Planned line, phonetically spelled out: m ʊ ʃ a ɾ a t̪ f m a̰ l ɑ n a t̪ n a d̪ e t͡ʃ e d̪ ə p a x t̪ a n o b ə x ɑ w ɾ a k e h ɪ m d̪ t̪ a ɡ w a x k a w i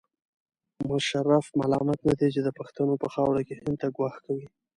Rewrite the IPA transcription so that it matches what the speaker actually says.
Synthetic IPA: m ʊ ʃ a ɾ a f m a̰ l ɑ m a t̪ n a d̪ e t͡ʃ e d̪ ə p a x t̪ a n o p ə x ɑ w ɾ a k e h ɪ n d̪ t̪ a ɡ w ɑ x k a w i